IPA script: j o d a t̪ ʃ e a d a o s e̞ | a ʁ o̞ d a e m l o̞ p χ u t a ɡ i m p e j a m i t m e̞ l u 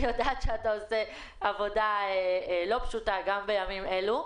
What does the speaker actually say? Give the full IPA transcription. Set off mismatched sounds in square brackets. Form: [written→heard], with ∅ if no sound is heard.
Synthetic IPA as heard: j o d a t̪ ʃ e a [d→t] a o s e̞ | a [ʁ→v] o̞ d a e [m→∅] l o̞ p [χ→ʃ] u t a ɡ [i→a] m [p→b] e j a m i [t→∅] m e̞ l u